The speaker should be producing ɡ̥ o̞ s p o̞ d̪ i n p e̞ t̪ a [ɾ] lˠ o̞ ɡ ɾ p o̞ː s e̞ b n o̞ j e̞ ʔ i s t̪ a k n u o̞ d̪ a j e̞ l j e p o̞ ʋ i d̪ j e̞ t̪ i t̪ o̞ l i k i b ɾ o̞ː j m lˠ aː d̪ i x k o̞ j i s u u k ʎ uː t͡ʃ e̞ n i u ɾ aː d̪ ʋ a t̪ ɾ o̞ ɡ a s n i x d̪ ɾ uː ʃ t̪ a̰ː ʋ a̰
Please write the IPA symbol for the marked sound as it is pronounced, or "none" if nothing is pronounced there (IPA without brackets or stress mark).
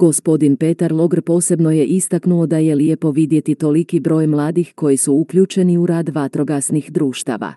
ɾ